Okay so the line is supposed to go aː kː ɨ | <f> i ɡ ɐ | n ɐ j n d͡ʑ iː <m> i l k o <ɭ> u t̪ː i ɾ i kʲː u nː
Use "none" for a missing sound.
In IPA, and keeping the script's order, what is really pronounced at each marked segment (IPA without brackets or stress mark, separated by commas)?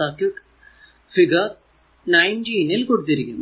f, n, ɽ